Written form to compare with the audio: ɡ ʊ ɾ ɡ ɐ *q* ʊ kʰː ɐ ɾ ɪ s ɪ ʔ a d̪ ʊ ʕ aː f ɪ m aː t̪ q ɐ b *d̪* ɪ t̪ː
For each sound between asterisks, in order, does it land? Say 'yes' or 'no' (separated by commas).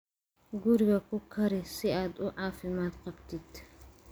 no, no